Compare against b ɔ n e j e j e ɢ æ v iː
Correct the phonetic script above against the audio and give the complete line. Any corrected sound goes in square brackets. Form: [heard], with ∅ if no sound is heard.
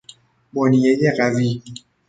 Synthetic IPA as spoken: b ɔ n [i] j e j e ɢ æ v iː

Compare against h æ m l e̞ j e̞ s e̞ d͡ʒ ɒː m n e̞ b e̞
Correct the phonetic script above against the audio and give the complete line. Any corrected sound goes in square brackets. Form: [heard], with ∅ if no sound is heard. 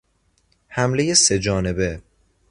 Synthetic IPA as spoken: h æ m l e̞ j e̞ s e̞ d͡ʒ ɒː [∅] n e̞ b e̞

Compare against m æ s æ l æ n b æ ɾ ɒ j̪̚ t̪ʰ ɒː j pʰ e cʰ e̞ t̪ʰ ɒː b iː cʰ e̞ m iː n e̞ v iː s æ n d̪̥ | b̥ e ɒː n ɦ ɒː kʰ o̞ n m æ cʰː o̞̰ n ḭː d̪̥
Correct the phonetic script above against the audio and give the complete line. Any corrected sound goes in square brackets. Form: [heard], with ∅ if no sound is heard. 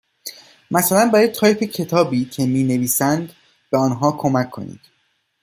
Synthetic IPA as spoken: m æ s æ l æ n b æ ɾ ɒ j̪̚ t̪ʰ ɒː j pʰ e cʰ e̞ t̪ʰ ɒː b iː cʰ e̞ m iː n e̞ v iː s æ n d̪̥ | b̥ e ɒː n ɦ ɒː kʰ o̞ [∅] m æ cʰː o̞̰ n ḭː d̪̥

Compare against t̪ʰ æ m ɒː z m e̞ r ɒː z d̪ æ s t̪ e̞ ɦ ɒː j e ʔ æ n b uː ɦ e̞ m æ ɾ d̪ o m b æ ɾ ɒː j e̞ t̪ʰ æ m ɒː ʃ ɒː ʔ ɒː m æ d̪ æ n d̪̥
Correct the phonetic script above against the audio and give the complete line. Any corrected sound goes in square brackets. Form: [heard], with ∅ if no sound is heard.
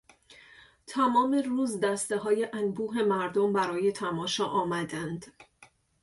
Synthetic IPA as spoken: t̪ʰ æ m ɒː [∅] m e̞ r [uː] z d̪ æ s t̪ e̞ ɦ ɒː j e ʔ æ n b uː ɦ e̞ m æ ɾ d̪ o m b æ ɾ ɒː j e̞ t̪ʰ æ m ɒː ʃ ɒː ʔ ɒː m æ d̪ æ n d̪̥

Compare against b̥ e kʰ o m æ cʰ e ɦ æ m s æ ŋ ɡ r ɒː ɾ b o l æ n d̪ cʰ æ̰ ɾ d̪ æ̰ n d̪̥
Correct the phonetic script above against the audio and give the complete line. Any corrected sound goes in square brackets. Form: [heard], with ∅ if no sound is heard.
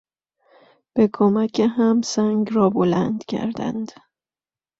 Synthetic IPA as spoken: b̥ e kʰ o m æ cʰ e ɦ æ m s æ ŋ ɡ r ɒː [∅] b o l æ n d̪ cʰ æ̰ ɾ d̪ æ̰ n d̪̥

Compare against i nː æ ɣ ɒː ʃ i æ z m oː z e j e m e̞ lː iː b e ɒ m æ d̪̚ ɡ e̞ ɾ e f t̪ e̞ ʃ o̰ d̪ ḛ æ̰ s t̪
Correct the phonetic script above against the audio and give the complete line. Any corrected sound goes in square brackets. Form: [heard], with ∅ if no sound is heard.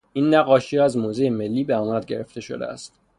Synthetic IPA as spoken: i nː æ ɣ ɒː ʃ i æ z m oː z e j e m e̞ lː iː b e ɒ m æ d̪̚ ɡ e̞ ɾ e f t̪ e̞ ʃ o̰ d̪ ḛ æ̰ s t̪

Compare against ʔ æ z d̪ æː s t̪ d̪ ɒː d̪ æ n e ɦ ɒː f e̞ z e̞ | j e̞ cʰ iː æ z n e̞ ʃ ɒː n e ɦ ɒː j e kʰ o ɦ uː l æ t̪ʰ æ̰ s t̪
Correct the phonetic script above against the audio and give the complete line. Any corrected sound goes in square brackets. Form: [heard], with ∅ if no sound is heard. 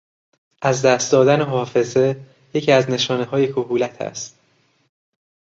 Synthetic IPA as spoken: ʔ æ z d̪ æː s t̪ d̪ ɒː d̪ æ n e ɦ ɒː f e̞ z e̞ | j e̞ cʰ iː æ z n e̞ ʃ ɒː n e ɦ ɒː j e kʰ o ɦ uː l æ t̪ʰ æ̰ s t̪

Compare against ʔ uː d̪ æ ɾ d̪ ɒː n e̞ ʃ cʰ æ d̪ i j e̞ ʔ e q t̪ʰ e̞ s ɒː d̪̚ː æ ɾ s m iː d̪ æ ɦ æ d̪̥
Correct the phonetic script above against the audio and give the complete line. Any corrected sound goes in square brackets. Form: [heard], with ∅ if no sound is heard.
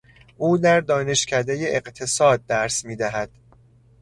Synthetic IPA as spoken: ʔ uː d̪ æ ɾ d̪ ɒː n e̞ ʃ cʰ æ d̪ [e] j e̞ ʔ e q t̪ʰ e̞ s ɒː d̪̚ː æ ɾ s m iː d̪ æ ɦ æ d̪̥

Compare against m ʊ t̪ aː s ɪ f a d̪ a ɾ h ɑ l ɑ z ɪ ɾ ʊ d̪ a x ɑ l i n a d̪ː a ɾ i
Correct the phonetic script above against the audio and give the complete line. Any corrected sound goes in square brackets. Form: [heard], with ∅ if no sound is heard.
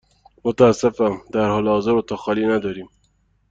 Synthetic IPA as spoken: m ʊ t̪ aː s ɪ f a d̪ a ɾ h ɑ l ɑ z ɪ ɾ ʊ [t̪] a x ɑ l i n a [d̪] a ɾ i

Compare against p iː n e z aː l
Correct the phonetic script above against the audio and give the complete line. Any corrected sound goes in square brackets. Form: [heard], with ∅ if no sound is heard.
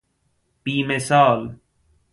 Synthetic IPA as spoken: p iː [m] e [s] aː l

